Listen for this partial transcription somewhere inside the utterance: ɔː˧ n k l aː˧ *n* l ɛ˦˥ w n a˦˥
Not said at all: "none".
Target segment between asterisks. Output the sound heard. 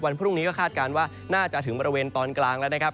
ŋ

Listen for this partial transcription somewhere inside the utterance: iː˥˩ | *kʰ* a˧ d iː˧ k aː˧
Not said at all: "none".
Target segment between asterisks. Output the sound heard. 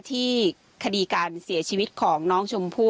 kʰ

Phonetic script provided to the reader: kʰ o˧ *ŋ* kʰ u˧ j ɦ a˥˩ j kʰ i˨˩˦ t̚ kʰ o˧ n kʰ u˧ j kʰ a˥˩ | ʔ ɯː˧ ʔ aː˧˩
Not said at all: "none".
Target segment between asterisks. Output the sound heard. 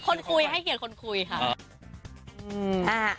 n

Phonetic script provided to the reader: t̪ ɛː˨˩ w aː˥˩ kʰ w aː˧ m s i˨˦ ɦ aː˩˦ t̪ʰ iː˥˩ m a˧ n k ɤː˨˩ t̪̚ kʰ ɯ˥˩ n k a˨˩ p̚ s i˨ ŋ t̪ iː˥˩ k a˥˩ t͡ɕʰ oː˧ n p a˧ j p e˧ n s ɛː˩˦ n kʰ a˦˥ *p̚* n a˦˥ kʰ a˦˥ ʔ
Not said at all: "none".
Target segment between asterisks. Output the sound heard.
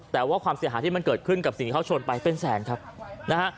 p̚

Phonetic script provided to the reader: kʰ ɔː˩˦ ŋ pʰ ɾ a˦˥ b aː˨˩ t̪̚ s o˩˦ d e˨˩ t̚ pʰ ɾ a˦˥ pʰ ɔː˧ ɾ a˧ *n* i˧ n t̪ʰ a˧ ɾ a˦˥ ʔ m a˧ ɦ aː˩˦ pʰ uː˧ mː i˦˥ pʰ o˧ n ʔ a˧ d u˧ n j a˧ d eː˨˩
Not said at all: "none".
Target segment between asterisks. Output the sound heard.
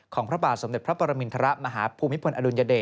m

